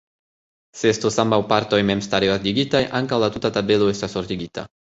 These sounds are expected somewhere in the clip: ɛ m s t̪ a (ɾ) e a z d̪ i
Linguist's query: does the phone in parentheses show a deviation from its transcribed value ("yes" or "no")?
no